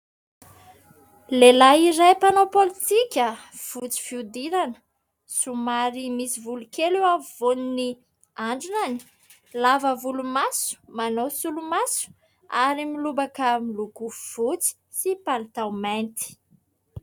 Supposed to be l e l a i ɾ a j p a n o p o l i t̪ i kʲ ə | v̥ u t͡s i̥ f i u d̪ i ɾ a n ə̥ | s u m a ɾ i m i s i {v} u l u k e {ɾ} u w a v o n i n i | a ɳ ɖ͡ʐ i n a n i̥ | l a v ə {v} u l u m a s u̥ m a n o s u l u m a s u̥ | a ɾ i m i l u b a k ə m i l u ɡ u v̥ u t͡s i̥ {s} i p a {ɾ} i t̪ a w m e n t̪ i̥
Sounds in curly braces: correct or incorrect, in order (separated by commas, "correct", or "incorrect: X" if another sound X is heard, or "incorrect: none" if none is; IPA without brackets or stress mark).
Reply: correct, incorrect: l, correct, correct, incorrect: l